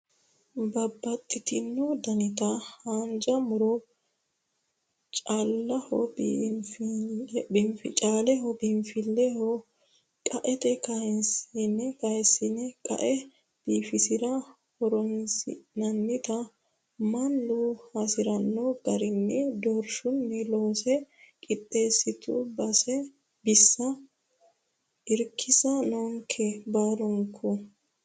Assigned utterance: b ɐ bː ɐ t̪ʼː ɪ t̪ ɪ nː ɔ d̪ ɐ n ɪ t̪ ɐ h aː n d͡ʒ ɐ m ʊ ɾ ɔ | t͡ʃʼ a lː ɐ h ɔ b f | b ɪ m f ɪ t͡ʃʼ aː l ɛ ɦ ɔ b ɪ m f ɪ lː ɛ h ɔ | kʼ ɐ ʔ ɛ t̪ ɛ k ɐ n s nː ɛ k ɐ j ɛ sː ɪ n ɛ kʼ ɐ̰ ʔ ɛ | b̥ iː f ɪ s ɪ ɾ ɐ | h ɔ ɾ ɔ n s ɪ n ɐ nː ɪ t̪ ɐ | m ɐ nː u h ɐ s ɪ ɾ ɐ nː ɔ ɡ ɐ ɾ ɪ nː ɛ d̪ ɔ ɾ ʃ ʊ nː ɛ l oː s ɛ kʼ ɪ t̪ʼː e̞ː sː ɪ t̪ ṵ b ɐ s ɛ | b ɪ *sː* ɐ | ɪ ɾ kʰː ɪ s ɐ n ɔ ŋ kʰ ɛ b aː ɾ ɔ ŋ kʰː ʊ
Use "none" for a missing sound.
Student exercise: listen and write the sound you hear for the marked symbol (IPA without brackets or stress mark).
sː